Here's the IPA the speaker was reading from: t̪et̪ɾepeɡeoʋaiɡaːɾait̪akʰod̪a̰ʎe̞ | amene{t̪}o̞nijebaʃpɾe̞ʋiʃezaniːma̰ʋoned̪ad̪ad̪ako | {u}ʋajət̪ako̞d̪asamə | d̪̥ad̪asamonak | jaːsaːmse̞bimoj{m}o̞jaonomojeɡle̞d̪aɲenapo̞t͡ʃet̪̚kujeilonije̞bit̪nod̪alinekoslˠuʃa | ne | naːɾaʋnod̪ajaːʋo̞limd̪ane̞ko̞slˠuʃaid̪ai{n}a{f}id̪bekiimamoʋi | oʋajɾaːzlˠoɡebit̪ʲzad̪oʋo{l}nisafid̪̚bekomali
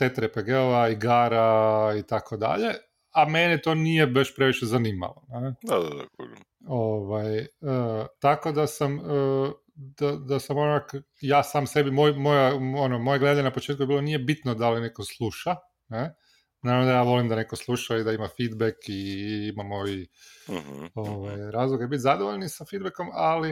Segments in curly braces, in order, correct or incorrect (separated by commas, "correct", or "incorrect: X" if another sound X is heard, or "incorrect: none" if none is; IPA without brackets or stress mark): correct, incorrect: o, correct, incorrect: m, correct, incorrect: ʎ